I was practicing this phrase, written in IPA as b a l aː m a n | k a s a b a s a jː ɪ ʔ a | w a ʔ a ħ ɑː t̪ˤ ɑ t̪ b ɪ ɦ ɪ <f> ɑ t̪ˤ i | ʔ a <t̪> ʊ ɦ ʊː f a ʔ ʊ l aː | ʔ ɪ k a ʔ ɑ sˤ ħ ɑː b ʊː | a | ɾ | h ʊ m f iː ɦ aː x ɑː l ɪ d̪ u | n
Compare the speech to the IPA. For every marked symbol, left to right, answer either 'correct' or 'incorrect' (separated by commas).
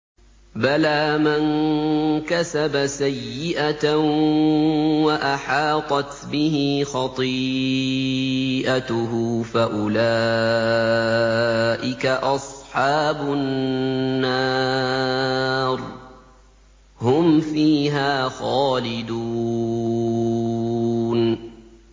incorrect, correct